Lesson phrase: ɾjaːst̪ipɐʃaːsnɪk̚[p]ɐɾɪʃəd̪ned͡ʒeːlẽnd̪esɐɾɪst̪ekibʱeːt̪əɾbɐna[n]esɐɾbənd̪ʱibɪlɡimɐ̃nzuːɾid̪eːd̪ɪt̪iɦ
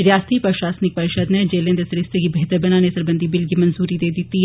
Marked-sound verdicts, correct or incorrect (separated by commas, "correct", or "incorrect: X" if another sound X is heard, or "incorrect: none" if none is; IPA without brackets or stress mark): correct, correct